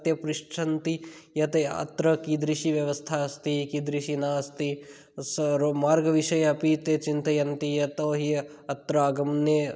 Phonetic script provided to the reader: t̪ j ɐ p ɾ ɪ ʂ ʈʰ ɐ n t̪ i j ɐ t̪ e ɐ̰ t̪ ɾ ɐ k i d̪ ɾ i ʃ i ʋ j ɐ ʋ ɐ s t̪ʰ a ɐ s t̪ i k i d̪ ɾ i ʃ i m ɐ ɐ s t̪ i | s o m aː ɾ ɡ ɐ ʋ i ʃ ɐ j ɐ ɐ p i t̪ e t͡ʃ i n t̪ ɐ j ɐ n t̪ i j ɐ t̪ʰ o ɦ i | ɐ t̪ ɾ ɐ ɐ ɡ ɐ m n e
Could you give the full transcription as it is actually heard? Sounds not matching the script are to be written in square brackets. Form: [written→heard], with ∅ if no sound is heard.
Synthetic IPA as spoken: t̪ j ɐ p ɾ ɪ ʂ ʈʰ ɐ n t̪ i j ɐ t̪ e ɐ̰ t̪ ɾ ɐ k i d̪ ɾ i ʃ i ʋ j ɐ ʋ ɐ s t̪ʰ a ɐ s t̪ i k i d̪ ɾ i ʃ i [m→n] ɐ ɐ s t̪ i | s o m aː ɾ ɡ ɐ ʋ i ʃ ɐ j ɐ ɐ p i t̪ e t͡ʃ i n t̪ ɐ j ɐ n t̪ i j ɐ [t̪ʰ→t̪] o ɦ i | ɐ t̪ ɾ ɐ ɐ ɡ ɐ m n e